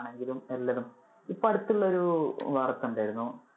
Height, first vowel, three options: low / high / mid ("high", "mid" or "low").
mid